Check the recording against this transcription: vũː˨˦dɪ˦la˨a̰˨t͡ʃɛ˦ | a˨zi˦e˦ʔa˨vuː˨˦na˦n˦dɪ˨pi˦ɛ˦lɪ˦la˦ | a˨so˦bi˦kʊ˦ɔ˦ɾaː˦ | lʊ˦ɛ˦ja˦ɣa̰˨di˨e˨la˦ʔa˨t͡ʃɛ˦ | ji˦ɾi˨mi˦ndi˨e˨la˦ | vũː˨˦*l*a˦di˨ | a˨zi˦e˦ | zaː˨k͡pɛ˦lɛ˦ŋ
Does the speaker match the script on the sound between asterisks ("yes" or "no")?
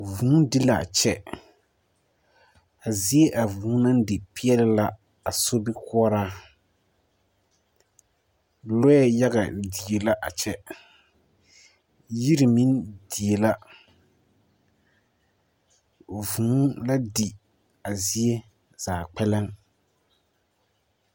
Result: yes